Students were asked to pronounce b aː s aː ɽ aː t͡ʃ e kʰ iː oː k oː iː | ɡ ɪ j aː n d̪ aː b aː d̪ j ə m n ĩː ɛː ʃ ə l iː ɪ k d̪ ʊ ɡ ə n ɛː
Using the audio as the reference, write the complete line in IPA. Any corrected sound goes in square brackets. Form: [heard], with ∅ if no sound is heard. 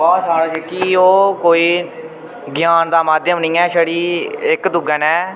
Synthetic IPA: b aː s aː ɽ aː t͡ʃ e [k] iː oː k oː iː | ɡ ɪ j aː n d̪ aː [m] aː d̪ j ə m n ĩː ɛː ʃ ə [ɽ] iː ɪ k d̪ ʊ ɡ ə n ɛː

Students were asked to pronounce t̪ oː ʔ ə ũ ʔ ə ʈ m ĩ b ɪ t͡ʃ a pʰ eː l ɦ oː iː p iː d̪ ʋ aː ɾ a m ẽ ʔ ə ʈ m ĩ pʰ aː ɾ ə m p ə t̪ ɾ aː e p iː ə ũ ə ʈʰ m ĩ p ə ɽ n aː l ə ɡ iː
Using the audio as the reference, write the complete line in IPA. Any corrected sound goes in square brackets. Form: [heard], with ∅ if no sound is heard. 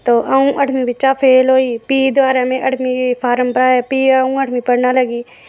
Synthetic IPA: t̪ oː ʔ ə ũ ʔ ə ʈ m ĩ b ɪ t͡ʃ a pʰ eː l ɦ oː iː p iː d̪ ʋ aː ɾ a m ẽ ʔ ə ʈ m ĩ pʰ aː ɾ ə m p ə [∅] ɾ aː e p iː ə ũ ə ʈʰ m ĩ p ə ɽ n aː l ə ɡ iː

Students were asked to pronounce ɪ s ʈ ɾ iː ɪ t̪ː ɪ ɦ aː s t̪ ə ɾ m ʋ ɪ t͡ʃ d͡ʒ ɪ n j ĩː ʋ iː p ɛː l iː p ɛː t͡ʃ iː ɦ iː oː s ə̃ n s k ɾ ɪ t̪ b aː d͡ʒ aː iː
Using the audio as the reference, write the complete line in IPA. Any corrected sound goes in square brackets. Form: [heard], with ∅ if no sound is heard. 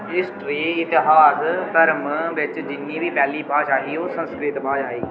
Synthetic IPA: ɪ s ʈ ɾ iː ɪ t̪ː ɪ ɦ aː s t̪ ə ɾ m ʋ ɪ t͡ʃ d͡ʒ ɪ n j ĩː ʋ iː p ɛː l iː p [aː] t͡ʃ [aː] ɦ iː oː s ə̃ n s k ɾ ɪ t̪ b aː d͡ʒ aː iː

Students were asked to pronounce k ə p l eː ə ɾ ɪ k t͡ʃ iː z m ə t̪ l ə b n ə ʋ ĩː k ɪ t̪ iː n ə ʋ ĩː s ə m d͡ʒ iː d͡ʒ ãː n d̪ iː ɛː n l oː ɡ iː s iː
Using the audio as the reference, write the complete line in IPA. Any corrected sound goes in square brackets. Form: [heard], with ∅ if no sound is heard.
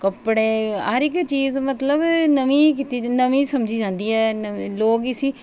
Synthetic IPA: k ə p [ɽ] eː ə ɾ ɪ k t͡ʃ iː z m ə t̪ l ə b n ə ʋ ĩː k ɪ t̪ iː n ə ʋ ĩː s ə m d͡ʒ iː d͡ʒ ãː n d̪ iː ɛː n l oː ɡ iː s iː

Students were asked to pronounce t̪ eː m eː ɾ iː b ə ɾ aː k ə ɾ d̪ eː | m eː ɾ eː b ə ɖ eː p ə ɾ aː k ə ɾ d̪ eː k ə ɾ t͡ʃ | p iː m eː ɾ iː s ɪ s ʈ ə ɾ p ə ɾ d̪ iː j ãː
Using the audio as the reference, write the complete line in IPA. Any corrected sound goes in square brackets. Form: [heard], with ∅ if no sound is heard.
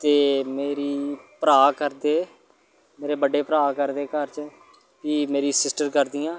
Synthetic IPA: t̪ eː m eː ɾ iː [p] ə ɾ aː k ə ɾ d̪ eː | m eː ɾ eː b ə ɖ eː p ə ɾ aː k ə ɾ d̪ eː k ə ɾ t͡ʃ | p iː m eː ɾ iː s ɪ s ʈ ə ɾ [k] ə ɾ d̪ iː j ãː

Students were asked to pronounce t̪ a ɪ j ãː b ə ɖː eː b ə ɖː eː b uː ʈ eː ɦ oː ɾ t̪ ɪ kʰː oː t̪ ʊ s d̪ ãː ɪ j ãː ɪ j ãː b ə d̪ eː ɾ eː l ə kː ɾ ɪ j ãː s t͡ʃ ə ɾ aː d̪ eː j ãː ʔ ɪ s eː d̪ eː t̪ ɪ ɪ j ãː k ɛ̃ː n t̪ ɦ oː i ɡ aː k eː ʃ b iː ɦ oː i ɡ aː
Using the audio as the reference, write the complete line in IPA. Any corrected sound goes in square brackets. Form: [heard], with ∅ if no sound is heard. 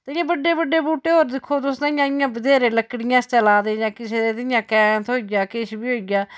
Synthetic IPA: t̪ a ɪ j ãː b ə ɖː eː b ə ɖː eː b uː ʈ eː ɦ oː ɾ [d̪] ɪ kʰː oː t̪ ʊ s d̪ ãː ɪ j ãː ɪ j ãː b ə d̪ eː ɾ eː l ə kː [ɽ] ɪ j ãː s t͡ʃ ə [l] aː d̪ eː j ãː [k] ɪ s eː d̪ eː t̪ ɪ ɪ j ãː k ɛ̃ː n t̪ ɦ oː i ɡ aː k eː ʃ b iː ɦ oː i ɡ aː

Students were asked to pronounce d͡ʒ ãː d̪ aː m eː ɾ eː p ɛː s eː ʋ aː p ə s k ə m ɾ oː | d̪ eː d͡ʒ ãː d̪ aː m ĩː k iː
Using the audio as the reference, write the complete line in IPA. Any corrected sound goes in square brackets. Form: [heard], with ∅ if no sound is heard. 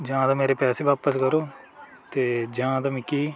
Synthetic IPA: d͡ʒ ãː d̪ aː m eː ɾ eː p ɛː s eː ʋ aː p ə s k ə [∅] ɾ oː | [t̪] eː d͡ʒ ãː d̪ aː m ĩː k iː

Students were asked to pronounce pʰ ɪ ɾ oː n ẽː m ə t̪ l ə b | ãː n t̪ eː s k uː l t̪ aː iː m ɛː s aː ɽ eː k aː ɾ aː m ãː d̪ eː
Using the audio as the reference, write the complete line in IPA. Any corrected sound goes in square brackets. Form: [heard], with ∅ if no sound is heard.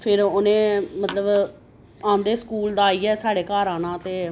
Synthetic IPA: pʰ ɪ ɾ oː n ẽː m ə t̪ l ə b | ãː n [d̪] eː s k uː l [d̪] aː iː [∅] ɛː s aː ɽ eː k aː ɾ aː [n] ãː [t̪] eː

